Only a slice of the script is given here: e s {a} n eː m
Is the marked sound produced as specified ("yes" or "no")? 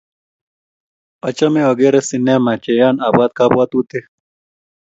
no